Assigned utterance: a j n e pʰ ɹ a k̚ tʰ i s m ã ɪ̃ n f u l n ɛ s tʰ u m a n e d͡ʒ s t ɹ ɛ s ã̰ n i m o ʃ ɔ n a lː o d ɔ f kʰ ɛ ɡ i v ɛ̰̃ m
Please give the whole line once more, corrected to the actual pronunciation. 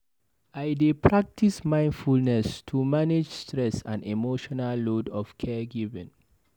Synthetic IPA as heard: a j d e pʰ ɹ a k̚ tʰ i s m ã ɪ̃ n f u l n ɛ s tʰ u m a n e d͡ʒ s t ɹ ɛ s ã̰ n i m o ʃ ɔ n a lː o d ɔ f kʰ ɛ ɡ i v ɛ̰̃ n

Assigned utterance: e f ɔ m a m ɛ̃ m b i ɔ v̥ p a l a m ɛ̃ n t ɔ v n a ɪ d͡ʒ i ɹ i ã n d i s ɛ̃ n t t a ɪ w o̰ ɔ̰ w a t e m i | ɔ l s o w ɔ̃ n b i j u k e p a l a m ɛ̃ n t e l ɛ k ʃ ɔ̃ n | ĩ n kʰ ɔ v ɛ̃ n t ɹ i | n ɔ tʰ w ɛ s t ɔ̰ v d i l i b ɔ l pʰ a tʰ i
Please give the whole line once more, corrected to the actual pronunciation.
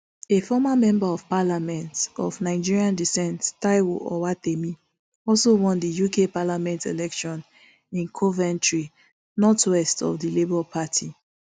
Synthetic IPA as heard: e f ɔ m a m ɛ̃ m b a ɔ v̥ p a l a m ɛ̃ n t ɔ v n a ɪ d͡ʒ i ɹ i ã n d i s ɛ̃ n t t a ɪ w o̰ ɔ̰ w a t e m i | ɔ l s o w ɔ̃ n d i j u k e p a l a m ɛ̃ n t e l ɛ k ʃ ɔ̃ n | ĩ n kʰ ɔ v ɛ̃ n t ɹ i | n ɔ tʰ w ɛ s t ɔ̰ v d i l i b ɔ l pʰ a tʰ i

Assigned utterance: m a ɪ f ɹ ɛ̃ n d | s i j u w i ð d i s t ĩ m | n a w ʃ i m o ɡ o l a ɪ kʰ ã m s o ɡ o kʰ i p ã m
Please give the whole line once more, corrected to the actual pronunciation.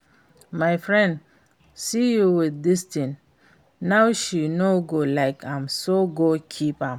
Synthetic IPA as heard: m a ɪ f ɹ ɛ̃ n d | s i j u w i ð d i s t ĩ n | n a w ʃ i n o ɡ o l a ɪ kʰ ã m s o ɡ o kʰ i p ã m

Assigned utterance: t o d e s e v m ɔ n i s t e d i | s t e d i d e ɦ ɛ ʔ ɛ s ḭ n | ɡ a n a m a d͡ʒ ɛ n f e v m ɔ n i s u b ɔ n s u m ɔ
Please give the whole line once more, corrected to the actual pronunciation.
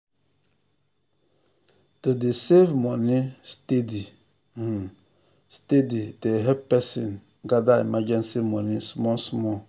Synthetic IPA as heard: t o d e s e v m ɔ n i s t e d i | s t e d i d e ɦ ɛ p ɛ s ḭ n | ɡ a d a m a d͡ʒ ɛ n s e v m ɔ n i s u m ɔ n s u m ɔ

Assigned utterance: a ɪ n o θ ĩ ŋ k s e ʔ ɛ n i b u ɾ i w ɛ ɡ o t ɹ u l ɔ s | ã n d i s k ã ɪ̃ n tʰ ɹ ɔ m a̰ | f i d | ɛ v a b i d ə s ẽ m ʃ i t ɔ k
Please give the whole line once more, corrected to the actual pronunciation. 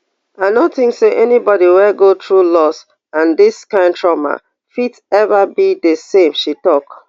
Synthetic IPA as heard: a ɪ n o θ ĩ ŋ k s e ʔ ɛ n i b ɔ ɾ i w ɛ ɡ o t ɹ u l ɔ s | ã n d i s k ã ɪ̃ n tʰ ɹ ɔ m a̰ | f i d | ɛ v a b i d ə s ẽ m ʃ i t ɔ k

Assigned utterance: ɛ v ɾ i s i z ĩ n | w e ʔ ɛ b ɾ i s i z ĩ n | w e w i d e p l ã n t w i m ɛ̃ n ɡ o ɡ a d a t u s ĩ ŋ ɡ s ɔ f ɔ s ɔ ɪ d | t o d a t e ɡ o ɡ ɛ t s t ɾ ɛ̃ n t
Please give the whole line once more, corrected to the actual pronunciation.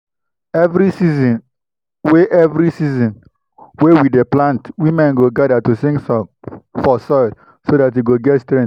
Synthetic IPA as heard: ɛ v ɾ i s i z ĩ n | w e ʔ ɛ v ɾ i s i z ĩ n | w e w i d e p l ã n t w i m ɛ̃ n ɡ o ɡ a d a t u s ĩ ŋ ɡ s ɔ f ɔ s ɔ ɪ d | s o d a t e ɡ o ɡ ɛ t s t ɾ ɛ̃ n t

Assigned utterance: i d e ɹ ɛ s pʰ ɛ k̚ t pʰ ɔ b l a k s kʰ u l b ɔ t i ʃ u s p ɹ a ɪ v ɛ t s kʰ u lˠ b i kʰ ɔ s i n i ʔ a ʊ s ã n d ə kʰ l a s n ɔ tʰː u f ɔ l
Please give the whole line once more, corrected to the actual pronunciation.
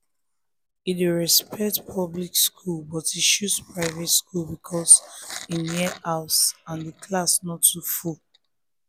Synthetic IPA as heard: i d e ɹ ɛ s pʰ ɛ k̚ t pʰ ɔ b l i k s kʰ u l b ɔ t i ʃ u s p ɹ a ɪ v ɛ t s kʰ u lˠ b i kʰ ɔ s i n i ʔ a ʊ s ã n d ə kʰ l a s n ɔ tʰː u f u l

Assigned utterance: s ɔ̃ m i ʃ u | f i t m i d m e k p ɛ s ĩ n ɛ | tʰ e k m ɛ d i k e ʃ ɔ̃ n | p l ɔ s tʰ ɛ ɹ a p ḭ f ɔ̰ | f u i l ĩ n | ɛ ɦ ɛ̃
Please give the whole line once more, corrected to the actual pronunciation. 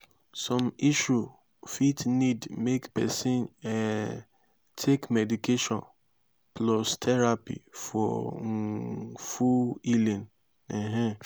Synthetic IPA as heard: s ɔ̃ m i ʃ u | f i t n i d m e k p ɛ s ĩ n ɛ | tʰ e k m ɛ d i k e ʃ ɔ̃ n | p l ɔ s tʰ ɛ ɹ a p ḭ f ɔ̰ | f u i l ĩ n | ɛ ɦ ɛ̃

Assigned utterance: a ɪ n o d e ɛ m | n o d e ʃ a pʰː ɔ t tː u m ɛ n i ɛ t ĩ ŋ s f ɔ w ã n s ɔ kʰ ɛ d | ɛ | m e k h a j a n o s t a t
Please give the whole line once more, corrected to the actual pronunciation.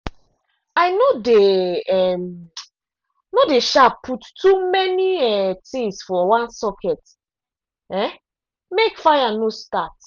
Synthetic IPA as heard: a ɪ n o d e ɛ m | n o d e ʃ a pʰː u t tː u m ɛ n i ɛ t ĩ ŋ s f ɔ w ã n s ɔ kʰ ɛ t | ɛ | m e k f a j a n o s t a t

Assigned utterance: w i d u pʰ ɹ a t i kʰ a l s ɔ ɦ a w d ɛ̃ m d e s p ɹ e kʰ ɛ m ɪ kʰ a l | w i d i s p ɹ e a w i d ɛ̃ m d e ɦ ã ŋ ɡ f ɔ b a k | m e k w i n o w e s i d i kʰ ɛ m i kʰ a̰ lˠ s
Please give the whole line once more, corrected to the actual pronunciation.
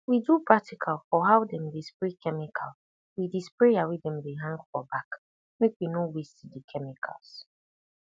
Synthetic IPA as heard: w i d u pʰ ɹ a t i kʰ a l f ɔ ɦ a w d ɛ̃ m d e s p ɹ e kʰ ɛ m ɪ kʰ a l | w i d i s p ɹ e a w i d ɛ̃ m d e ɦ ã ŋ ɡ f ɔ b a k | m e k w i n o w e s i d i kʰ ɛ m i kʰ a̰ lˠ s

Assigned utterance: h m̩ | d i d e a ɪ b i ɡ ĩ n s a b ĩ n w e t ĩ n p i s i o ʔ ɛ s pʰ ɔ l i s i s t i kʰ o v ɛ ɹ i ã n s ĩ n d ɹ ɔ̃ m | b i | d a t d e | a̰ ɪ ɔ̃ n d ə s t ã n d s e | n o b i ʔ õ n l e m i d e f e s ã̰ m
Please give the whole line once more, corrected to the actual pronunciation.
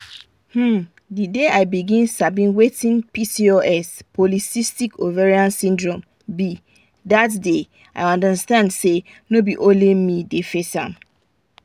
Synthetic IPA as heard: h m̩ | d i d e a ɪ b i ɡ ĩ n s a b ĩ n w e t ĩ n p i s i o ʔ ɛ s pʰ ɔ l i s i s t i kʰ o v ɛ ɹ i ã n s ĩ n d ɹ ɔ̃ m | b i | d a t d e | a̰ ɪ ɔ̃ n d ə s t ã n d s e | n o b i ʔ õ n l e m i d e f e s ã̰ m

